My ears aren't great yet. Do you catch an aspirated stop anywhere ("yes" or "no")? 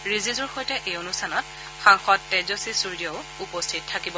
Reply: yes